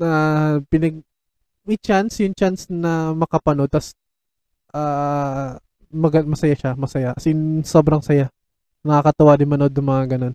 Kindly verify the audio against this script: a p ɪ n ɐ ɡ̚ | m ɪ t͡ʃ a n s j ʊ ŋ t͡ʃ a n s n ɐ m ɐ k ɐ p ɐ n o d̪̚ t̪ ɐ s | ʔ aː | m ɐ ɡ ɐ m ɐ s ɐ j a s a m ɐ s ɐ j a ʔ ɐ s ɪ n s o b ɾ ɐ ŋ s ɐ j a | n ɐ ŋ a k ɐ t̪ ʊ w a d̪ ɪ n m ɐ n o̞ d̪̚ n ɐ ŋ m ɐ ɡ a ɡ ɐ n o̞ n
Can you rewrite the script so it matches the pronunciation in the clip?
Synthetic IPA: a p ɪ n ɐ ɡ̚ | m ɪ t͡ʃ a n s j ʊ ŋ t͡ʃ a n s n ɐ m ɐ k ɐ p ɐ n o d̪̚ t̪ ɐ s | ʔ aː | m ɐ ɡ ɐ m ɐ s ɐ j a ʃ a m ɐ s ɐ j a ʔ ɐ s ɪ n s o b ɾ ɐ ŋ s ɐ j a | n ɐ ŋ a k ɐ t̪ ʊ w a d̪ ɪ n m ɐ n o̞ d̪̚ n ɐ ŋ m ɐ ŋ a ɡ ɐ n o̞ n